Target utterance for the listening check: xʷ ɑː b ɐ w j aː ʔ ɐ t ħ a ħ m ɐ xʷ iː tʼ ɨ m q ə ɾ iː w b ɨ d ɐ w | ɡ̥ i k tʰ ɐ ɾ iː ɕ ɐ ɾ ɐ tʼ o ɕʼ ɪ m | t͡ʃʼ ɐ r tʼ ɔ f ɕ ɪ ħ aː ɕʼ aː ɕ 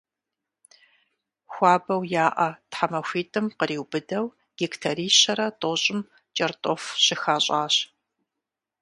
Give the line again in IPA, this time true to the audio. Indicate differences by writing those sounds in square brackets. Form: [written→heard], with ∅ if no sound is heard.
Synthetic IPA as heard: xʷ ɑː b ɐ w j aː ʔ ɐ t ħ a [ħ→∅] m ɐ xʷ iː tʼ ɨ m q ə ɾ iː w b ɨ d ɐ w | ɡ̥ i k tʰ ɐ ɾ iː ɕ ɐ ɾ ɐ tʼ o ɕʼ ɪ m | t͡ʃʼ ɐ r tʼ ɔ f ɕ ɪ [ħ→x] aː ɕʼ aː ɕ